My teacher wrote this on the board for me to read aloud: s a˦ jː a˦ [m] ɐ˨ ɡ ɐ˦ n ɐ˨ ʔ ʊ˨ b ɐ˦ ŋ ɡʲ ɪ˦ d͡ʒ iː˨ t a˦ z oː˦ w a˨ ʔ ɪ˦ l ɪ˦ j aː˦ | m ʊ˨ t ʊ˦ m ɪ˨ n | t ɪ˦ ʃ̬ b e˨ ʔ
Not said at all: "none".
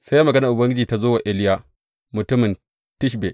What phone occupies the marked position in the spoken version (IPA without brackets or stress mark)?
m